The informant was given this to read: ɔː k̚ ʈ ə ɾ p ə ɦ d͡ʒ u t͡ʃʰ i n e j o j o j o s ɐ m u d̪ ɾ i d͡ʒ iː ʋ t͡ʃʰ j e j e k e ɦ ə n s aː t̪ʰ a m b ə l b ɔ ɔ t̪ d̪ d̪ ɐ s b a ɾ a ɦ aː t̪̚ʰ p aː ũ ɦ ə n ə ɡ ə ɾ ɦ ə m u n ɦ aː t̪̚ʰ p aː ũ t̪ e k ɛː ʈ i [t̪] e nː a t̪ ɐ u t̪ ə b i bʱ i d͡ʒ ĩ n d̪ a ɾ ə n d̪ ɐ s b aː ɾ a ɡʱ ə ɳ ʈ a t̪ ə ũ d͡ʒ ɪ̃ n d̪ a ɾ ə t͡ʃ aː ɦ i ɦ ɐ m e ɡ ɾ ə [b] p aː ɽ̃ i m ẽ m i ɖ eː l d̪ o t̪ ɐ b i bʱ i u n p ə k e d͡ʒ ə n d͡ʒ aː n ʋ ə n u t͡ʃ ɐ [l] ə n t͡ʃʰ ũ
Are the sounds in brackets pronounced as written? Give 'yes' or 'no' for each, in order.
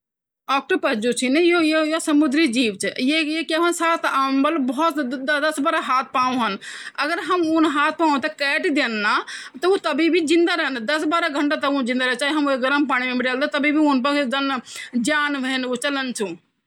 no, no, yes

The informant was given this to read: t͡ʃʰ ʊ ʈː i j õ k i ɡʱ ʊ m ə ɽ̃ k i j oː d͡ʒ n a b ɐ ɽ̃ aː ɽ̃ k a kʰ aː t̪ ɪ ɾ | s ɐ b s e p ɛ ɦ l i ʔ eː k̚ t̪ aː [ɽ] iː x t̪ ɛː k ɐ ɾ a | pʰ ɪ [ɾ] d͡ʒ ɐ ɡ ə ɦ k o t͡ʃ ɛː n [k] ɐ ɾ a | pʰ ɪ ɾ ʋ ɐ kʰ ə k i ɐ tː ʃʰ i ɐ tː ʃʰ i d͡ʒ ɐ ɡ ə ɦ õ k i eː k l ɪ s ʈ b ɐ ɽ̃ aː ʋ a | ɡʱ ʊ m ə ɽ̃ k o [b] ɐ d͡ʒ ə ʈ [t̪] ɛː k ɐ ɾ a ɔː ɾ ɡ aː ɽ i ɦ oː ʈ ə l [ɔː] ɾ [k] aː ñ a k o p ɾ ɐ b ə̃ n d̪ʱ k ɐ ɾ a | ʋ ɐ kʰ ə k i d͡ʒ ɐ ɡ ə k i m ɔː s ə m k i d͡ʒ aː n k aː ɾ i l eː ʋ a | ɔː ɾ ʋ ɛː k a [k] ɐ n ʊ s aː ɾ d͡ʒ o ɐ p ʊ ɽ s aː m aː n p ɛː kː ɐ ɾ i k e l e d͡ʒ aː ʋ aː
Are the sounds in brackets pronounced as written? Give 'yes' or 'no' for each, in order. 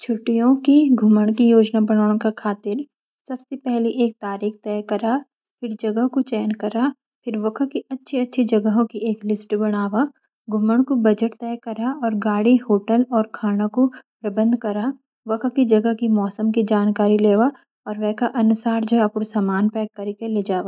no, yes, yes, yes, yes, yes, no, no

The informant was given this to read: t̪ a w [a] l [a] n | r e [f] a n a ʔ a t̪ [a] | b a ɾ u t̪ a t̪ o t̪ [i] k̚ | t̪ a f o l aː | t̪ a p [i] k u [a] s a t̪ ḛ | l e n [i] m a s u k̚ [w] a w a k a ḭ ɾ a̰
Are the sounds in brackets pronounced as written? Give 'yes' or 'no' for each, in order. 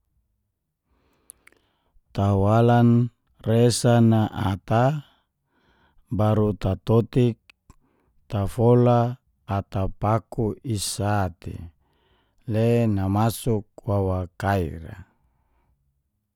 yes, yes, no, yes, yes, no, no, no, yes

